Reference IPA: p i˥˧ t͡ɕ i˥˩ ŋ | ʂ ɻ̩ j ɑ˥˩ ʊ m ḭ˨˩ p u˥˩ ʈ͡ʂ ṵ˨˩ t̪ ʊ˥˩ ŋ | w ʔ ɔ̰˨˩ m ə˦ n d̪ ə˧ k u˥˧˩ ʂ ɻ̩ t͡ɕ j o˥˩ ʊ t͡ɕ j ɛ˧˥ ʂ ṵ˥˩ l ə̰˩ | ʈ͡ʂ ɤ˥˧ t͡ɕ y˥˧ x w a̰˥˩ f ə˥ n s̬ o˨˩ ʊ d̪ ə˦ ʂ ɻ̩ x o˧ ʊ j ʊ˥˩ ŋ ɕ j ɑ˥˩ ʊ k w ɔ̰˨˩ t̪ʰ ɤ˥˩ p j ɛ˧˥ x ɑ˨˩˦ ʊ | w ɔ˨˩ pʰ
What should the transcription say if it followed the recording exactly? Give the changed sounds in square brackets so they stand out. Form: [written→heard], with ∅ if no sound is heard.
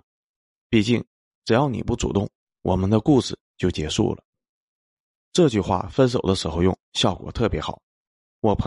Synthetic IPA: p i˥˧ t͡ɕ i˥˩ ŋ | [ʂ→ʈ͡ʂ] ɻ̩ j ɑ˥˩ ʊ [m→n] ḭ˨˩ p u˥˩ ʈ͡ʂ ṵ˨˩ t̪ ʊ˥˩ ŋ | w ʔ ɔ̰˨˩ m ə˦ n d̪ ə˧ k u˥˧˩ ʂ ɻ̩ t͡ɕ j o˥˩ ʊ t͡ɕ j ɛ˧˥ ʂ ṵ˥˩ l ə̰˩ | ʈ͡ʂ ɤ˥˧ t͡ɕ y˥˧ x w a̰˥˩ f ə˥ n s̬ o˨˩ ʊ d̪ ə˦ ʂ ɻ̩ x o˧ ʊ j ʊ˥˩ ŋ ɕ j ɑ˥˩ ʊ k w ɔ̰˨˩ t̪ʰ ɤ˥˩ p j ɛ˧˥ x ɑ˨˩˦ ʊ | w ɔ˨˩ pʰ